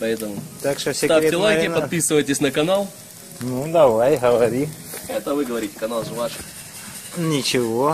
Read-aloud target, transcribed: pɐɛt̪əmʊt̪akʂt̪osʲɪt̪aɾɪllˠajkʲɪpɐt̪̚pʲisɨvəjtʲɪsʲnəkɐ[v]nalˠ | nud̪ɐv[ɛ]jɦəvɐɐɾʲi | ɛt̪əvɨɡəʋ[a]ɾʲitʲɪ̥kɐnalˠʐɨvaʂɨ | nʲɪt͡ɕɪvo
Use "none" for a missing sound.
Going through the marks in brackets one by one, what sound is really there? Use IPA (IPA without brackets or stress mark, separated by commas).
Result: none, a, ɐ